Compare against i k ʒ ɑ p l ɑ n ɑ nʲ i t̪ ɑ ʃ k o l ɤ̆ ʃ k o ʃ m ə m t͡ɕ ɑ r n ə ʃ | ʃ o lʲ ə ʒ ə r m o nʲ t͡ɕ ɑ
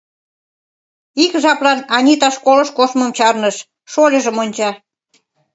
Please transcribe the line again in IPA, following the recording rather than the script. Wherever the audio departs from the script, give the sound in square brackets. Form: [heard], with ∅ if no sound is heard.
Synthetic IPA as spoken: i k ʒ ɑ p l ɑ n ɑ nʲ i t̪ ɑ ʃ k o l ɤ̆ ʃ k o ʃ m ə m t͡ɕ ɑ r n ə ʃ | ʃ o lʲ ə ʒ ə [∅] m o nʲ t͡ɕ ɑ